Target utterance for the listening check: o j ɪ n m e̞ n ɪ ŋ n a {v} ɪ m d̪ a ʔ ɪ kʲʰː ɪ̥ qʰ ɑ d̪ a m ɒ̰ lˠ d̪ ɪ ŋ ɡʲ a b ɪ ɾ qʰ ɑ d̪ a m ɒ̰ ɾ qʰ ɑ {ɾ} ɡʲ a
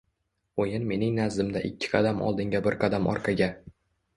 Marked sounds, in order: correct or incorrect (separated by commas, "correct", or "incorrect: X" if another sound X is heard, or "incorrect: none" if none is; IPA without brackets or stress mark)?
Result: incorrect: z, incorrect: none